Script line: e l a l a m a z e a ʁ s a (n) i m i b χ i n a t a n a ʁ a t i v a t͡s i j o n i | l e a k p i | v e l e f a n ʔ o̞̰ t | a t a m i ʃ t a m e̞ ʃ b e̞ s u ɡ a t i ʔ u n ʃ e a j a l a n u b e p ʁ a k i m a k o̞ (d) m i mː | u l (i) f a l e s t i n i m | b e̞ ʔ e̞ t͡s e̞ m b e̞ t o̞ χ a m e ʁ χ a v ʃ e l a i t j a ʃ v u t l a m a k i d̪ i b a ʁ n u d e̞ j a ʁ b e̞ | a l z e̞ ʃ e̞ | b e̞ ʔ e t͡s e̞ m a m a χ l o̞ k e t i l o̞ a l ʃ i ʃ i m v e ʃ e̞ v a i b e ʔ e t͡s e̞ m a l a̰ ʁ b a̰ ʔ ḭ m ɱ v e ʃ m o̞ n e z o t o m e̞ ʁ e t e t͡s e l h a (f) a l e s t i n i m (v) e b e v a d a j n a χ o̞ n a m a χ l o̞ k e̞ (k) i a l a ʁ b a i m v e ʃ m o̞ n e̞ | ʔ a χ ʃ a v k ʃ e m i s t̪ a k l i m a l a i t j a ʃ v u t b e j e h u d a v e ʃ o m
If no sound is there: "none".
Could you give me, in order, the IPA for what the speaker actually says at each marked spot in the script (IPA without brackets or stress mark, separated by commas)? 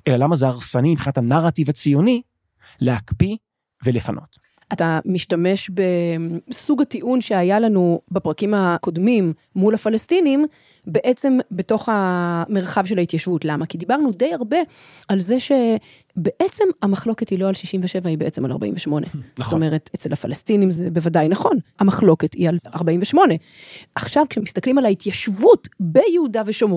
n, d, a, f, z, t